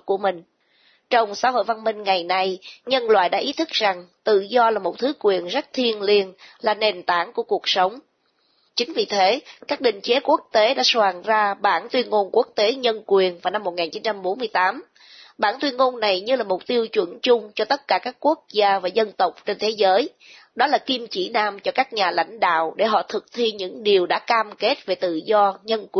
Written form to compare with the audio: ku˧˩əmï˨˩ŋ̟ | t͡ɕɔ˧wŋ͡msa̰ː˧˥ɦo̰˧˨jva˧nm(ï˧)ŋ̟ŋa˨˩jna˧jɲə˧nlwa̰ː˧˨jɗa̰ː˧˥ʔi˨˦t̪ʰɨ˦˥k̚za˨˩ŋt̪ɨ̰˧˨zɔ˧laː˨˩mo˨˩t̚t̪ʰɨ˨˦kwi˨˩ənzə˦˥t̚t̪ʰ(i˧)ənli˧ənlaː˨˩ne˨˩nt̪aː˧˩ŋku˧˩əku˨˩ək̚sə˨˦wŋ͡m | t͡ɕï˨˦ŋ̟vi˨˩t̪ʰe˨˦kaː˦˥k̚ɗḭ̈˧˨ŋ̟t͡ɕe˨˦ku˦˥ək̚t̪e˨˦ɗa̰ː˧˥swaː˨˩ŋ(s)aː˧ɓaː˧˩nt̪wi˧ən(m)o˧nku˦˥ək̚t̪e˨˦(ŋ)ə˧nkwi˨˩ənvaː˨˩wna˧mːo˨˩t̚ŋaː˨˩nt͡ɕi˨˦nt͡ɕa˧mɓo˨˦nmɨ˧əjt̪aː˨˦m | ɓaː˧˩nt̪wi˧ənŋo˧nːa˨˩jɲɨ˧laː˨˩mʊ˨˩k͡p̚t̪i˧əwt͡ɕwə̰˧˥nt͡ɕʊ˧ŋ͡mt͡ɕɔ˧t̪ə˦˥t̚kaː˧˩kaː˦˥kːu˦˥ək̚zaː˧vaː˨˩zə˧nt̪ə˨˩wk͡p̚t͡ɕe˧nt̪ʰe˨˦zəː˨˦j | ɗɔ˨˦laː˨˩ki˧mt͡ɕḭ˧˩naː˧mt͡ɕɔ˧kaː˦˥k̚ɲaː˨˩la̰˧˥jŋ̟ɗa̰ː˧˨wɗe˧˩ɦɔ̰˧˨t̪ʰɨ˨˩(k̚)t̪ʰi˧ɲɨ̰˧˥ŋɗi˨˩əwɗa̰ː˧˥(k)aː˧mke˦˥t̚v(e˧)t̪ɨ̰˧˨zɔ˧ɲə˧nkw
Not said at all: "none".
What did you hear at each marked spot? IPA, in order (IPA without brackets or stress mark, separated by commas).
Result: ï˧, i˧, z, ŋ, ɲ, k̚, k, e˨˩